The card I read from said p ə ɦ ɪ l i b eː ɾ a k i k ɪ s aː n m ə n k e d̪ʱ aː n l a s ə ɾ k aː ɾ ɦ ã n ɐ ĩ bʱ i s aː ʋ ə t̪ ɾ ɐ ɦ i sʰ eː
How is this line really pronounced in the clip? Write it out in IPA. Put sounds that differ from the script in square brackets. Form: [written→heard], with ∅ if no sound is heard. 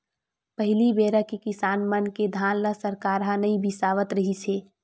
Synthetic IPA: p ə ɦ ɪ l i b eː ɾ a k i k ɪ s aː n m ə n k e d̪ʱ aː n l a s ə ɾ k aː ɾ ɦ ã n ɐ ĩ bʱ i s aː ʋ ə t̪ ɾ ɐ ɦ i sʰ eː